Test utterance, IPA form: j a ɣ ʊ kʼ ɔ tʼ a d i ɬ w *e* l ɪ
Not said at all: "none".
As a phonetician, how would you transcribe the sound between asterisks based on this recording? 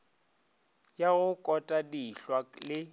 a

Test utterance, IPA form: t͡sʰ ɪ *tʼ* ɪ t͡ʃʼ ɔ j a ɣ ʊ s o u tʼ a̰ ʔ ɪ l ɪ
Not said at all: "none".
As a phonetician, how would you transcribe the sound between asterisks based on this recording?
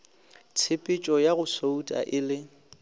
pʼ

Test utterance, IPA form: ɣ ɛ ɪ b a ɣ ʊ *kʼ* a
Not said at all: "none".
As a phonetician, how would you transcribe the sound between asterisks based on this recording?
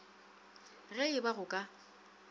kʼ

